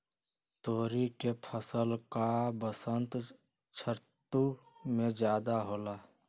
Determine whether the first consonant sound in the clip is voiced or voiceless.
voiceless